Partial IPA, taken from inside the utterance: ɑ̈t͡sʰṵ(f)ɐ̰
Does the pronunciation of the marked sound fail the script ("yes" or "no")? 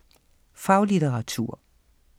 yes